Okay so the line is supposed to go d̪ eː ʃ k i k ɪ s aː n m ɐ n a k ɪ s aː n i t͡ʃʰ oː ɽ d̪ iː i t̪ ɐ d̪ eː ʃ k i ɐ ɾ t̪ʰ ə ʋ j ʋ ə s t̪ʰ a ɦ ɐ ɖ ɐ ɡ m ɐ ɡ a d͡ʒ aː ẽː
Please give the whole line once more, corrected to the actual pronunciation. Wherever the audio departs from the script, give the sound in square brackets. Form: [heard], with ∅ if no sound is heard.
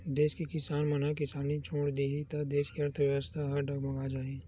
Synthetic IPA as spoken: d̪ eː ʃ k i k ɪ s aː n m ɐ n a k ɪ s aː n i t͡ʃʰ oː ɽ d̪ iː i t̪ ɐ d̪ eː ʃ k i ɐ ɾ t̪ʰ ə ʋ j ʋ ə s t̪ʰ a ɦ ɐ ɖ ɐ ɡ m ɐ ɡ a d͡ʒ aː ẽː